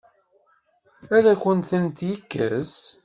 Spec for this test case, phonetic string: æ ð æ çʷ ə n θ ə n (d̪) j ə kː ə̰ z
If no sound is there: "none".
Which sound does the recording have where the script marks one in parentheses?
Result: t̪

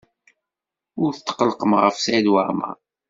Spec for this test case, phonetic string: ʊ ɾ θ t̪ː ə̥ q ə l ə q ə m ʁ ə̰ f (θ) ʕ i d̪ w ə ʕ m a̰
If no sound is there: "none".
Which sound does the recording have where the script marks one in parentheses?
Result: s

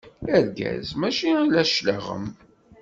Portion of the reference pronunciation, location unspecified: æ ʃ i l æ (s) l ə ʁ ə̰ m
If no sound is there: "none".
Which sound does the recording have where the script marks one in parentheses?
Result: ʃ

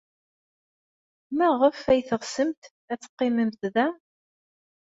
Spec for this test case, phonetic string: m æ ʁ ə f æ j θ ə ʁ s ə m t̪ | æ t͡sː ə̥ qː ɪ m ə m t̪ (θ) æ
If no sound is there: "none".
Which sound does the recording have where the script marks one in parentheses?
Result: ð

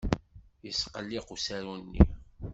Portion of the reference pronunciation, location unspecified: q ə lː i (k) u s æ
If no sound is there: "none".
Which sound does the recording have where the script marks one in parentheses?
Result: q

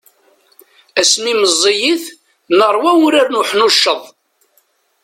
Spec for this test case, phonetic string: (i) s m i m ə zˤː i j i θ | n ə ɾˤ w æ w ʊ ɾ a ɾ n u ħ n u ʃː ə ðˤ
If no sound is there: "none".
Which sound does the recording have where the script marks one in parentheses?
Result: æ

